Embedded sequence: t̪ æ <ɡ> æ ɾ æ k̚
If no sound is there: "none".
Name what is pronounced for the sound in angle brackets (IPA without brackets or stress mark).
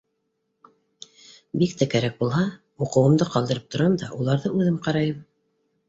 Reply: k